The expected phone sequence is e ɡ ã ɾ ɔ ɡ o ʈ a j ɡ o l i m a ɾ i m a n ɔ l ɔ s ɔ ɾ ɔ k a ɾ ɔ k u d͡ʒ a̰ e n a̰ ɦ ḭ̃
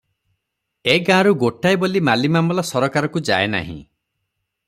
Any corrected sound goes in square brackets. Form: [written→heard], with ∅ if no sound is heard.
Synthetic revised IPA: e ɡ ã ɾ [ɔ→u] ɡ o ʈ a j [ɡ→b] o l i m a [ɾ→l] i m a [n→m] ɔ l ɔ s ɔ ɾ ɔ k a ɾ ɔ k u d͡ʒ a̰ e n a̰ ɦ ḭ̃